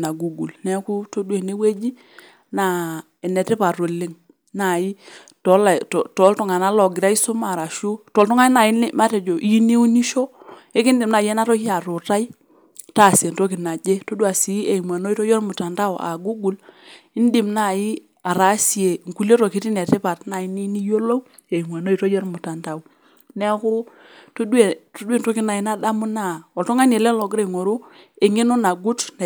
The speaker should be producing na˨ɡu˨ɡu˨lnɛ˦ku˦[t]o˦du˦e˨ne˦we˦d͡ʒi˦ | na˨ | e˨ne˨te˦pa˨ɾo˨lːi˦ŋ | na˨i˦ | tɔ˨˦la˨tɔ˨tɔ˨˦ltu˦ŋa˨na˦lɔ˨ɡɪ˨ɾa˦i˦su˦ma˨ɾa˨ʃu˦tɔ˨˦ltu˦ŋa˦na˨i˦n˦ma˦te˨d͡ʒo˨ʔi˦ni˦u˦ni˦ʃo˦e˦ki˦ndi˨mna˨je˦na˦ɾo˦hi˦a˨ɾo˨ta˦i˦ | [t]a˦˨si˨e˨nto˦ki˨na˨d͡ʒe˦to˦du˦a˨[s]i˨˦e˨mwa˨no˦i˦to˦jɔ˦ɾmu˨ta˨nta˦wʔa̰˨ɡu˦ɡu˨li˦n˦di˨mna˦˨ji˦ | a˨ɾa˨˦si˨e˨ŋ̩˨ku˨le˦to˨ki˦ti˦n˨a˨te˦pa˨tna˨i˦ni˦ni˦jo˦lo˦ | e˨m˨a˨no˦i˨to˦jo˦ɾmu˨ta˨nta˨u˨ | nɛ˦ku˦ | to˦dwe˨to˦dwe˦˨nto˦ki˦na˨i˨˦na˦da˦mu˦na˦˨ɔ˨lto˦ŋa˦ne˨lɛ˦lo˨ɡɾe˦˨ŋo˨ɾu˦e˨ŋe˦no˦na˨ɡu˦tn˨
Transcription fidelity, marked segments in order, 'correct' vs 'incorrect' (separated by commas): correct, correct, correct